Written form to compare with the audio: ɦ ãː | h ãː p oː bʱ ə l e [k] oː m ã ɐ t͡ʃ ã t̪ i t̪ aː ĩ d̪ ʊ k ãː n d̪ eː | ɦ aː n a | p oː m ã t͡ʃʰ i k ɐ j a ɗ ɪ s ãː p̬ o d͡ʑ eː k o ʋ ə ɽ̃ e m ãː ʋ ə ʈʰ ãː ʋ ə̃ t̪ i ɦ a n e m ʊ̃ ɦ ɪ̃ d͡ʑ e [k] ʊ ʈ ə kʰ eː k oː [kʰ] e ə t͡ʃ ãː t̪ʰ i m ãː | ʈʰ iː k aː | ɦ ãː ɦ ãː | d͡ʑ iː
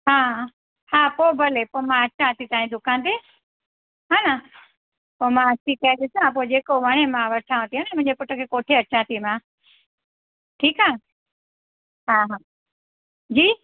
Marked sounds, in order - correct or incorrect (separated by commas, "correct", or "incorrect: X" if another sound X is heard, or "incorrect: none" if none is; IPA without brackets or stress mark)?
incorrect: p, incorrect: p, incorrect: ʈʰ